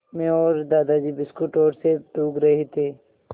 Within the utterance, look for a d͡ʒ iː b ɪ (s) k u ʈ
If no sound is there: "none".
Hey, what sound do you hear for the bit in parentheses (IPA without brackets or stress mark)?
s